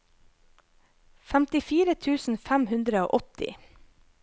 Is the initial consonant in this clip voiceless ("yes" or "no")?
yes